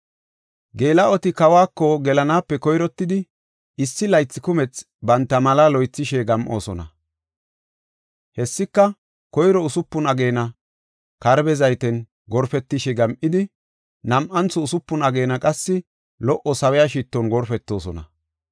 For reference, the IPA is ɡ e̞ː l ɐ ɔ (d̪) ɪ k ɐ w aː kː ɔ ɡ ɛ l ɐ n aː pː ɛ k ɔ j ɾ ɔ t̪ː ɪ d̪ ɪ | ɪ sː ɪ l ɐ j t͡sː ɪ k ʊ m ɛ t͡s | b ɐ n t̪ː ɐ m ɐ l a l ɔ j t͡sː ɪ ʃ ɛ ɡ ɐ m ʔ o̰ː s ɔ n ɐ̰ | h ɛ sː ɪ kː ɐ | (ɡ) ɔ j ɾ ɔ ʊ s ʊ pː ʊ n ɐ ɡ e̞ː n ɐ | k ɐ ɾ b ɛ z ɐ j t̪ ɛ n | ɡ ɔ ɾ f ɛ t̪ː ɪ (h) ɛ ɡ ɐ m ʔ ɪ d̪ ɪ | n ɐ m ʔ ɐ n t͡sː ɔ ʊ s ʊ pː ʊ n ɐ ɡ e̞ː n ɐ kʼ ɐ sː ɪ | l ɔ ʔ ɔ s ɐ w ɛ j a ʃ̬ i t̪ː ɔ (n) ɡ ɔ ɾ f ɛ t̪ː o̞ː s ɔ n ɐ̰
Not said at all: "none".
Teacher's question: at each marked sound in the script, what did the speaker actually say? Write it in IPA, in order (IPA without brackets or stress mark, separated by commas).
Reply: t̪, k, ʃ, n